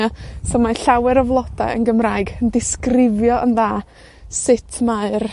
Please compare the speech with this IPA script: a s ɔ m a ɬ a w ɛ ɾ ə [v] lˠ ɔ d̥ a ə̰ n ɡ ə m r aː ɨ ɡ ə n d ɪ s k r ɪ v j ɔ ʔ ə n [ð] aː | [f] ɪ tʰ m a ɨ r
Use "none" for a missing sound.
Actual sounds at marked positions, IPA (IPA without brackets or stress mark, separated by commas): v, ð, s